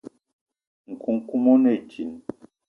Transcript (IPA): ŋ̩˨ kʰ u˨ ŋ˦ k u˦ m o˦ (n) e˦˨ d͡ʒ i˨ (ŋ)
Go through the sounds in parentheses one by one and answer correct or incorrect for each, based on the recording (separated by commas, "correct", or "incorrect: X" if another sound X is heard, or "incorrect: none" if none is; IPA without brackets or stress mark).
correct, incorrect: n